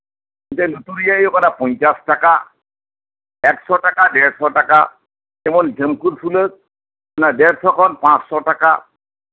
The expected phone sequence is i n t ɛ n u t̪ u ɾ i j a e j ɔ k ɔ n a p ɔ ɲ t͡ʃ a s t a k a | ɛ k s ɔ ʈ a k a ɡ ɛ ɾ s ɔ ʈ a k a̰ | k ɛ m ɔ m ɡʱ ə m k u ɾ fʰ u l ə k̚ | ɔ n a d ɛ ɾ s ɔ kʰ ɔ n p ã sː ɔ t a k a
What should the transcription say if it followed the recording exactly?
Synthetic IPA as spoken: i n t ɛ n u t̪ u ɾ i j a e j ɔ k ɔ n a p ɔ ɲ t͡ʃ a s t a k a | ɛ k s ɔ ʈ a k a d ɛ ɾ s ɔ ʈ a k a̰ | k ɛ m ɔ n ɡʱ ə m k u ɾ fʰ u l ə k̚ | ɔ n a d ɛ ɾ s ɔ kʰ ɔ n p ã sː ɔ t a k a